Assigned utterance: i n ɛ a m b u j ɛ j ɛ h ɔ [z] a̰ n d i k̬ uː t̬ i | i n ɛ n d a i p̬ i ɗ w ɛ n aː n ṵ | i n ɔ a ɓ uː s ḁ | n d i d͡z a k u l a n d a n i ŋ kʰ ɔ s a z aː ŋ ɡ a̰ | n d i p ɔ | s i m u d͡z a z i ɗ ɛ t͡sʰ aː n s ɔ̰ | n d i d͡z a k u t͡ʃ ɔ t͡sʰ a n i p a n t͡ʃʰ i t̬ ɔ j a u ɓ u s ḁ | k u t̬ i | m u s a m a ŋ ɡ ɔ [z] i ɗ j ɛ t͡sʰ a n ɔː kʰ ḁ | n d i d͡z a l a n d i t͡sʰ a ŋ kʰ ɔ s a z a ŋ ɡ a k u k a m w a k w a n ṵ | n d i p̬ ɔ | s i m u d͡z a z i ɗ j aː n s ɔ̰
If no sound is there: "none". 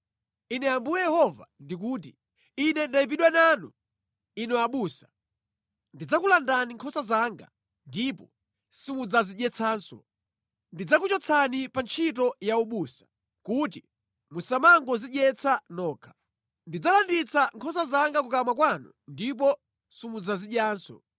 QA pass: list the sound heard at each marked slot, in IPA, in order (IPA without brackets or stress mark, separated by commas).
v, z